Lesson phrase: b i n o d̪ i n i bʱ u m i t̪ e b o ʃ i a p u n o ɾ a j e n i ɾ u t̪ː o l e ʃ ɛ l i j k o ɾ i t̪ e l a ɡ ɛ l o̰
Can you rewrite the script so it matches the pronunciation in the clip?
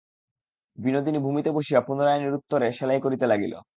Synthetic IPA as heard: b i n o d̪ i n i bʱ u m i t̪ e b o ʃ i a p u n o ɾ a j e n i ɾ u t̪ː o ɾ e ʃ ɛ l a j k o ɾ i t̪ e l a ɡ i l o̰